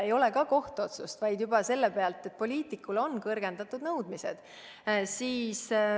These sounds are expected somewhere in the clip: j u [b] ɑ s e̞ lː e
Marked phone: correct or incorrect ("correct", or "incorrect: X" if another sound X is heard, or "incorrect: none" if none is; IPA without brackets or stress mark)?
correct